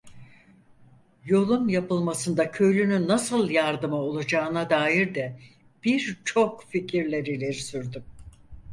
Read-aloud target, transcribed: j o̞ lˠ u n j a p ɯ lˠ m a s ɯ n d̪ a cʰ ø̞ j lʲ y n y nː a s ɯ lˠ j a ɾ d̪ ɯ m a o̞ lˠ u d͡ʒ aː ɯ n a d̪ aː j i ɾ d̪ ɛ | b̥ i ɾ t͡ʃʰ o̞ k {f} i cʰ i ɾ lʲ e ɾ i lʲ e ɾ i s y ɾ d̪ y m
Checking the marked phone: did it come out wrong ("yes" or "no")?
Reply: no